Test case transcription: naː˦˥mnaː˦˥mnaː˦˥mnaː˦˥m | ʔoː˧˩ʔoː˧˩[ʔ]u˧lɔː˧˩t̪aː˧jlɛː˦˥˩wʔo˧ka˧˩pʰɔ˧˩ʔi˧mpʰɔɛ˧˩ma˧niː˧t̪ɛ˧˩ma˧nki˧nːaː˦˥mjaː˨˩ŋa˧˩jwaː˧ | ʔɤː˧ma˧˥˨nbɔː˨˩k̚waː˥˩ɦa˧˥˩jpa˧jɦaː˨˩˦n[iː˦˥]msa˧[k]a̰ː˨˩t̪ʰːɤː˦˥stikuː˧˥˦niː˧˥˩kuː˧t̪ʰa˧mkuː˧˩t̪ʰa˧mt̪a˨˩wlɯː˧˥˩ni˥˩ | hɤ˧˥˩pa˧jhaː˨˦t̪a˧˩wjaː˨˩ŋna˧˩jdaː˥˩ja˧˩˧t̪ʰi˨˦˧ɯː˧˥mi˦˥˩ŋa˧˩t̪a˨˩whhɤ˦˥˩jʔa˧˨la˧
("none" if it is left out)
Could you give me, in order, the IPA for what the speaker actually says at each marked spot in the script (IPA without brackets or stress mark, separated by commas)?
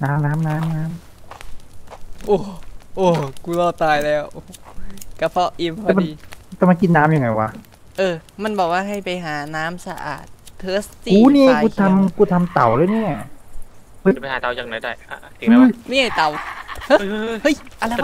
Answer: k, aː˦˥, ʔ